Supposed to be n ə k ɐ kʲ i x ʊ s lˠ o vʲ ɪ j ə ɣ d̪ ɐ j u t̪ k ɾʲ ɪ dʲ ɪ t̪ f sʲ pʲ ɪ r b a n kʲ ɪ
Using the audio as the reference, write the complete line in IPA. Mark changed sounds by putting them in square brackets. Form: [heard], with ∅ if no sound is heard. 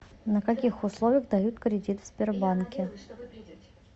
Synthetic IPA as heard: n ə k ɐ kʲ i x ʊ s lˠ o vʲ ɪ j ə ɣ d̪ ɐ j u t̪ k ɾʲ ɪ dʲ [i] t̪ f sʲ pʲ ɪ r b a n kʲ ɪ

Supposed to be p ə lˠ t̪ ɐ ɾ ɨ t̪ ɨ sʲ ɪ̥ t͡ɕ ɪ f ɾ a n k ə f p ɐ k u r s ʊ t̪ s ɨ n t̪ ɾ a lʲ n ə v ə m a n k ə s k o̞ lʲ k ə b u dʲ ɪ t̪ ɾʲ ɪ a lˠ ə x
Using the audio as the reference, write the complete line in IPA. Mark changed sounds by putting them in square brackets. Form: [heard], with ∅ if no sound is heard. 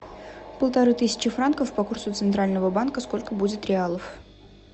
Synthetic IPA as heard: p ə lˠ t̪ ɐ ɾ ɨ t̪ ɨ sʲ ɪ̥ t͡ɕ ɪ f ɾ a n k ə f p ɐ k u r s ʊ t̪ s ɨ n t̪ ɾ a lʲ n ə v ə [b] a n k ə s k o̞ lʲ k ə b u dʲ ɪ t̪ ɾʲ ɪ a lˠ ə [f]

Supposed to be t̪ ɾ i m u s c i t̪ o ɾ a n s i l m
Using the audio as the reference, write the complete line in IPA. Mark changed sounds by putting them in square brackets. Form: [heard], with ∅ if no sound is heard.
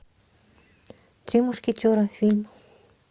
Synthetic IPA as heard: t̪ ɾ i m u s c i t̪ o ɾ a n [f] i l m

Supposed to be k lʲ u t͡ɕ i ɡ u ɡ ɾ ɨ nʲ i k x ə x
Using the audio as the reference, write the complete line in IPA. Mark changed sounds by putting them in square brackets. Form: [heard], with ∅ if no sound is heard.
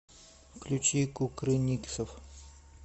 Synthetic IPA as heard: k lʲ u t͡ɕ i [k] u [k] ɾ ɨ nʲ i k [s] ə [f]

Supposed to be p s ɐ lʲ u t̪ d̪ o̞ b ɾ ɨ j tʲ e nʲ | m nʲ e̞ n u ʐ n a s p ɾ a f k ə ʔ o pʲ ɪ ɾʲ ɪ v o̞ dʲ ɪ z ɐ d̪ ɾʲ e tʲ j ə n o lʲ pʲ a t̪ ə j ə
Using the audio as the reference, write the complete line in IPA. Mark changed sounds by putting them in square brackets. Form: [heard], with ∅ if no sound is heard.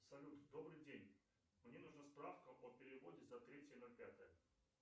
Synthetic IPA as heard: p s ɐ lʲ u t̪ d̪ o̞ b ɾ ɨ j [dʲ] e nʲ | m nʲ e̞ n u ʐ n a s p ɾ a f k ə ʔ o pʲ ɪ ɾʲ ɪ v o̞ dʲ ɪ z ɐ [t̪] ɾʲ e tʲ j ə n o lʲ pʲ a t̪ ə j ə

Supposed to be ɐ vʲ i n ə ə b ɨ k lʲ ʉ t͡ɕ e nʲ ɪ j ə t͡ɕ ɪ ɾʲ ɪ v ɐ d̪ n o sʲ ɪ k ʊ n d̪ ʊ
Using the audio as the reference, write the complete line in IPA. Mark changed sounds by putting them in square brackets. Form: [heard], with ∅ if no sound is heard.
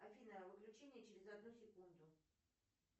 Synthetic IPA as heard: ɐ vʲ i n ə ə [v] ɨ k lʲ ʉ t͡ɕ e nʲ ɪ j ə t͡ɕ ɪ ɾʲ ɪ [z] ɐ d̪ n [u] sʲ ɪ k [u] n d̪ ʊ

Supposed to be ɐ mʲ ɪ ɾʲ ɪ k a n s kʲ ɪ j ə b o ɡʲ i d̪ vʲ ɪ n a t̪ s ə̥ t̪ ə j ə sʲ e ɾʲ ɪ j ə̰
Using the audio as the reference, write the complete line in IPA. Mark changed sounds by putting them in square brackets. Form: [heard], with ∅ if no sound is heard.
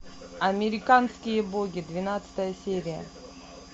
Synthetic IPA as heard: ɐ mʲ ɪ ɾʲ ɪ k a n s kʲ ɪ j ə b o ɡʲ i d̪ vʲ ɪ n a t̪ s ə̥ t̪ ə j ə sʲ e ɾʲ ɪ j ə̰

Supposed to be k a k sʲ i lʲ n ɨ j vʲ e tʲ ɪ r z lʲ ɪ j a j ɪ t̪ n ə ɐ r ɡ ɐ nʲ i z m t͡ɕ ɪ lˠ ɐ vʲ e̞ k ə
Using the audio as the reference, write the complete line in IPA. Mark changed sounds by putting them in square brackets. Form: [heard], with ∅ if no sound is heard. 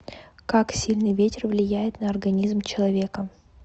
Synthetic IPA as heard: k a k sʲ i lʲ n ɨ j vʲ e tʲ ɪ r [v] lʲ ɪ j [æ] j ɪ t̪ n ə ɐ r ɡ ɐ nʲ i z m t͡ɕ ɪ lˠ ɐ vʲ e̞ k ə

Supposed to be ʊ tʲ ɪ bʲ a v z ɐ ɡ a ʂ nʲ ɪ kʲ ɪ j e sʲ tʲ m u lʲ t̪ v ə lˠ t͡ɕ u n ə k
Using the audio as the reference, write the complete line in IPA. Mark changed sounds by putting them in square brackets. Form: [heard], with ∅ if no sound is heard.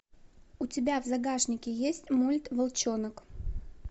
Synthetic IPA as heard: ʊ tʲ ɪ bʲ a v z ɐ ɡ a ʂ nʲ ɪ kʲ ɪ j e sʲ tʲ m u lʲ t̪ v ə lˠ t͡ɕ [o] n ə k

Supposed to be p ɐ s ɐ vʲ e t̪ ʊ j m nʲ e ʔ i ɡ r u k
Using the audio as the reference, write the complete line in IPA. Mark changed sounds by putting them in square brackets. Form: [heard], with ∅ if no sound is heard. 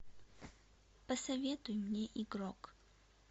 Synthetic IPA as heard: p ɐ s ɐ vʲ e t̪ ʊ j m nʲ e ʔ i ɡ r [o] k

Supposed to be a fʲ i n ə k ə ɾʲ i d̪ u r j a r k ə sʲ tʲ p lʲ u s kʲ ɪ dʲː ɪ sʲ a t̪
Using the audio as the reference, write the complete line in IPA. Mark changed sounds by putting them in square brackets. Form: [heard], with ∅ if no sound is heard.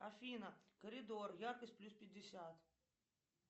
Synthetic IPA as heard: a fʲ i n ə k ə ɾʲ [ɪ] d̪ [o] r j a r k ə sʲ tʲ p lʲ u s [pʲ] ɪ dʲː ɪ sʲ a t̪

